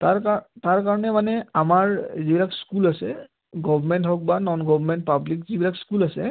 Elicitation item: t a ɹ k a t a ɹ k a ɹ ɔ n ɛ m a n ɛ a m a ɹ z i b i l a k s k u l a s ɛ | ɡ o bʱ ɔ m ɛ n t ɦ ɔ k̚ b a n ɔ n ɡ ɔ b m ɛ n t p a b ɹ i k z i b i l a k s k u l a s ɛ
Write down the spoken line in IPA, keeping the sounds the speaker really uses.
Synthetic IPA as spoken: t a ɹ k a t a ɹ k a ɹ ɔ n ɛ m a n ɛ a m a ɹ z i b i l a k s k u l a s ɛ | ɡ ɔ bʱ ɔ m ɛ n t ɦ ɔ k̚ b a n ɔ n ɡ ɔ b m ɛ n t p a b l i k z i b i l a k s k u l a s ɛ